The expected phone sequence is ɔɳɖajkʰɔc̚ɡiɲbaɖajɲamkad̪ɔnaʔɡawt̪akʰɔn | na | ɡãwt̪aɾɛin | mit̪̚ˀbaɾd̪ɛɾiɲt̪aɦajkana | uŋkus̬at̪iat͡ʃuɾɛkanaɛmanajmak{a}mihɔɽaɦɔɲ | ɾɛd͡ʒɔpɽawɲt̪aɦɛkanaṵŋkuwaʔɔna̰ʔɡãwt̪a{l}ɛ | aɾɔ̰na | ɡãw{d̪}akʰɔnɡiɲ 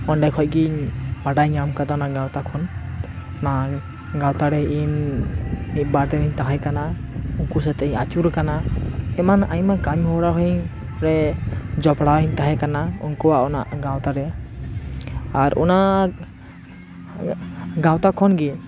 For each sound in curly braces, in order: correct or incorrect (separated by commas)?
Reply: correct, incorrect, incorrect